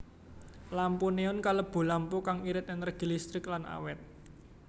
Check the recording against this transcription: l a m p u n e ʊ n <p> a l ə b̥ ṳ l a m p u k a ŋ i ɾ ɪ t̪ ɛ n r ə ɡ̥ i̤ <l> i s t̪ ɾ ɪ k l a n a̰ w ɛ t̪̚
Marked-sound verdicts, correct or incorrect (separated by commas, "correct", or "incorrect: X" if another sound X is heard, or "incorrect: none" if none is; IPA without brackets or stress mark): incorrect: k, correct